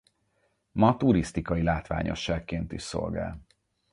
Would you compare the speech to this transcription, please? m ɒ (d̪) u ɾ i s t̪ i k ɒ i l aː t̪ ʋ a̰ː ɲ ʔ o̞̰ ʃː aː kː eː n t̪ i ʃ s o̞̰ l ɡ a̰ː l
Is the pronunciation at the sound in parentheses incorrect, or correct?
incorrect